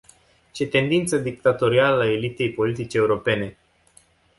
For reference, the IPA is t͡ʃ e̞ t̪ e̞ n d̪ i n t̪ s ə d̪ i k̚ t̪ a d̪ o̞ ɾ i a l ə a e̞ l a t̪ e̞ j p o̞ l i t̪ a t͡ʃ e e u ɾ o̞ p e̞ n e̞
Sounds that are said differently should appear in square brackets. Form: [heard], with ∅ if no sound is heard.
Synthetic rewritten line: t͡ʃ e̞ t̪ e̞ n d̪ i n t̪ s ə d̪ i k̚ t̪ a [t̪] o̞ ɾ i a l ə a e̞ l [i] t̪ e̞ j p o̞ l i t̪ [i] t͡ʃ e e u ɾ o̞ p e̞ n e̞